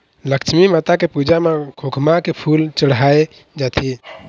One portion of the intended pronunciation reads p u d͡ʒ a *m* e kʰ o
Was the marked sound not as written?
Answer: no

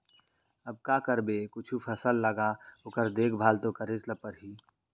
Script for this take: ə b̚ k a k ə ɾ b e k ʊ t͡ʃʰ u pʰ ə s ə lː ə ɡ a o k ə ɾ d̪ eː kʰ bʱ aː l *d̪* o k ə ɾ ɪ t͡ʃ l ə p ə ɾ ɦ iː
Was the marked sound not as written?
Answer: yes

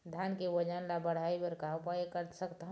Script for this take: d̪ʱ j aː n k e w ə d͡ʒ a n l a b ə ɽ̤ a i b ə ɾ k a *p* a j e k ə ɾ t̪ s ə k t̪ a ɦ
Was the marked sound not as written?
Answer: no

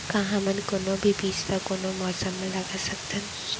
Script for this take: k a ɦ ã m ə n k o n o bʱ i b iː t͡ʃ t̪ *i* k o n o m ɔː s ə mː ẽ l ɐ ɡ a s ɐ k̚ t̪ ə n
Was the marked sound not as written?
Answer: yes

